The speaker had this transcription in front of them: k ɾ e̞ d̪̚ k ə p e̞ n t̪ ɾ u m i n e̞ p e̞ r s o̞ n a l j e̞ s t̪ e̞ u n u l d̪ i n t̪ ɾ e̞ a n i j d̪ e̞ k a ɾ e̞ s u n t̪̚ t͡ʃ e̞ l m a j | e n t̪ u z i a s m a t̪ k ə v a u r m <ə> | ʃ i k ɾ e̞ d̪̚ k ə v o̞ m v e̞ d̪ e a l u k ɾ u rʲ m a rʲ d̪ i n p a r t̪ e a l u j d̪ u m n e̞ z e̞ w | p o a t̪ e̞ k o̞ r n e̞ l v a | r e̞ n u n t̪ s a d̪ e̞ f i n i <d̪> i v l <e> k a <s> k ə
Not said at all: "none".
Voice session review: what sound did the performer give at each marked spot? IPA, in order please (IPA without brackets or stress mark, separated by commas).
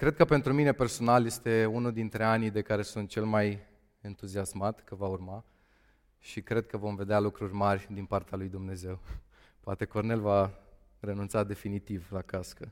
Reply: a, t̪, a, s